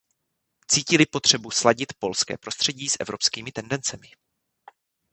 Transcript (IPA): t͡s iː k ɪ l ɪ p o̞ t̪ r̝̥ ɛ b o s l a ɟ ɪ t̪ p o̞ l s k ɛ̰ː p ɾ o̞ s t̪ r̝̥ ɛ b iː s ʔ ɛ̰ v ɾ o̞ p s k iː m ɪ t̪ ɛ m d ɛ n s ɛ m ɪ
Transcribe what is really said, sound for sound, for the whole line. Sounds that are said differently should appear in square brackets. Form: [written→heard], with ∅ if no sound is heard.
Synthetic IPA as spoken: t͡s iː [k→c] ɪ l ɪ p o̞ t̪ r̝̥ ɛ b [o→u] s l a ɟ ɪ t̪ p o̞ l s k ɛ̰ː p ɾ o̞ s t̪ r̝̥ ɛ [b→ɟ] iː s ʔ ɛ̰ v ɾ o̞ p s k iː m ɪ t̪ ɛ [m→n] d ɛ n [s→t͡s] ɛ m ɪ